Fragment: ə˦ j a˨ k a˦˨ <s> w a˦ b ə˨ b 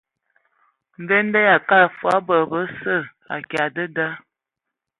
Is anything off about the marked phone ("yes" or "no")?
yes